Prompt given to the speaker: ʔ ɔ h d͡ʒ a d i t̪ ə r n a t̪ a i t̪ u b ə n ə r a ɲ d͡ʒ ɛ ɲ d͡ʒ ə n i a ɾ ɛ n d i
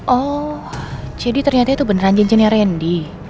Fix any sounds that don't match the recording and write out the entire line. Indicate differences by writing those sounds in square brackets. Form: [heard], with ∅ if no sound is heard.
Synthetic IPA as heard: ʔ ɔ h d͡ʒ a d i t̪ ə r [ɲ] a t̪ a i t̪ u b ə n ə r a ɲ d͡ʒ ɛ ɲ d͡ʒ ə n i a ɾ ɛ n d i